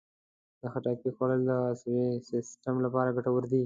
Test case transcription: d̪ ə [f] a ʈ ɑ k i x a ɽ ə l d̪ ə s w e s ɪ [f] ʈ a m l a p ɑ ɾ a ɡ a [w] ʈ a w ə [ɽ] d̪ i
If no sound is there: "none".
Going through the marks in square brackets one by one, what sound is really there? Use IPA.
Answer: x, s, none, ɾ

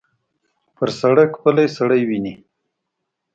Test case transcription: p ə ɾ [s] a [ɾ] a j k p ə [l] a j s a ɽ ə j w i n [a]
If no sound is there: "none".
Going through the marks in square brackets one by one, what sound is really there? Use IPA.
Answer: s, ɽ, l, i

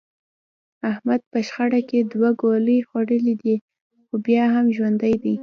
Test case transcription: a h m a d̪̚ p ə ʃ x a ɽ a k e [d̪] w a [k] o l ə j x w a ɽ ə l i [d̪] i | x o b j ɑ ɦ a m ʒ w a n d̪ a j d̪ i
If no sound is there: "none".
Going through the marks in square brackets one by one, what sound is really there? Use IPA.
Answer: d̪, ɡ, d̪

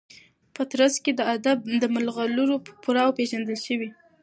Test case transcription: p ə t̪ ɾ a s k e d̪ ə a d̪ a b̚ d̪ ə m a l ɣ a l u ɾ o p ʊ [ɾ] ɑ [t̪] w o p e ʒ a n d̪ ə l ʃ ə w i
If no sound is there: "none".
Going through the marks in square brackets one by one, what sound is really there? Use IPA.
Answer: ɾ, none

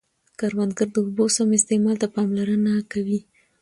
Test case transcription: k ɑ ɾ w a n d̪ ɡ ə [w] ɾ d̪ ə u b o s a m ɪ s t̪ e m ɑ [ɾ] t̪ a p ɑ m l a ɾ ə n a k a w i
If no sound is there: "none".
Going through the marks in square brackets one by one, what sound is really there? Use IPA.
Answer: none, l

